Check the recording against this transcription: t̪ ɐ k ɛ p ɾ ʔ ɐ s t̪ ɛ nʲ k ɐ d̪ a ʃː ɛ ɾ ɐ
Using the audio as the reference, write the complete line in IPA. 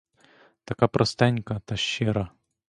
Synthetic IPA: t̪ ɐ k a p ɾ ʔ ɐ s t̪ ɛ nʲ k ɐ t̪ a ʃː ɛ ɾ ɐ